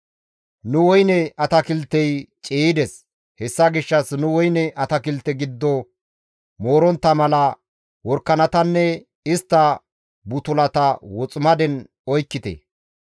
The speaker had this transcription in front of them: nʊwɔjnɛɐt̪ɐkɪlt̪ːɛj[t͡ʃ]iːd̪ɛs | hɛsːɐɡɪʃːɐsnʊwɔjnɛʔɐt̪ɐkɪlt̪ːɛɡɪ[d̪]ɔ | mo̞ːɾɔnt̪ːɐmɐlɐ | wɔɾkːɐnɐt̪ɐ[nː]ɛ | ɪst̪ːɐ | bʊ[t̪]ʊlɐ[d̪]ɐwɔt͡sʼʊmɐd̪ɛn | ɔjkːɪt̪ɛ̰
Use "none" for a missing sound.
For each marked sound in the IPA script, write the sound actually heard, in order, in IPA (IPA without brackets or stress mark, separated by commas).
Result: t͡ʃʼ, d̪ː, nː, t̪, t̪